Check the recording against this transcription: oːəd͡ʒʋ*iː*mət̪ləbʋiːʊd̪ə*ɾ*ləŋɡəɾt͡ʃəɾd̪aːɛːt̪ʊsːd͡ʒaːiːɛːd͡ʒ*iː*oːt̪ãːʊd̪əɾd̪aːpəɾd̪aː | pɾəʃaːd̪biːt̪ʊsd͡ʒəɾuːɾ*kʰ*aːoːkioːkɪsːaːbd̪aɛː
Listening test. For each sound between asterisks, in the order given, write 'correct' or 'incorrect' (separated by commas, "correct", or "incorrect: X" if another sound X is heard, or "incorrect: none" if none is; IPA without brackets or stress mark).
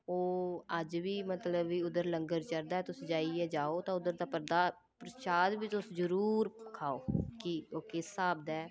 correct, correct, incorrect: aː, correct